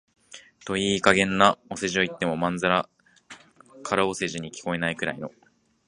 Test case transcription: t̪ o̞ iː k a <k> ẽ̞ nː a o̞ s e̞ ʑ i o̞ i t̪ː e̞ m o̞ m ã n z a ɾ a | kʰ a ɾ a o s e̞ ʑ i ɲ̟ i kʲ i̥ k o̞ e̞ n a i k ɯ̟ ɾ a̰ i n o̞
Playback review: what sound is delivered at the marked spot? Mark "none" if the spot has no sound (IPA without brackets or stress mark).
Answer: ɡ